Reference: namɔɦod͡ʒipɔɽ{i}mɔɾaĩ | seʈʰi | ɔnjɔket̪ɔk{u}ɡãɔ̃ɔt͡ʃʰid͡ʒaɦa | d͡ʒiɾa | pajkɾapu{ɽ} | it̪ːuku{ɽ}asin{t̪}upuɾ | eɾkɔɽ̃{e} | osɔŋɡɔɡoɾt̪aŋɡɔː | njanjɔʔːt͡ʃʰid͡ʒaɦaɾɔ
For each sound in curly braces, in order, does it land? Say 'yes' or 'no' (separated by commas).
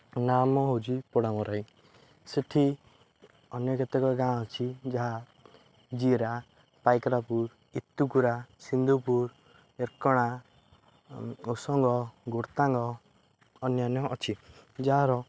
no, no, no, no, no, no